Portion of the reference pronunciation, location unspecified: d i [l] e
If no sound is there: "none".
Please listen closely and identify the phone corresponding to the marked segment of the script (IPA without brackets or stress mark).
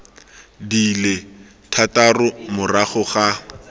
l